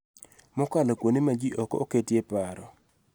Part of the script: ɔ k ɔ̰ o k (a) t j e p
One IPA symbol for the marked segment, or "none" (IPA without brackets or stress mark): e